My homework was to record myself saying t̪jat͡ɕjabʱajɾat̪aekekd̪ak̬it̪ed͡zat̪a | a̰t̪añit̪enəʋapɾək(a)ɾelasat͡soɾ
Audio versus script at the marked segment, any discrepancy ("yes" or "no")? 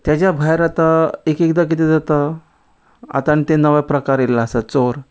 no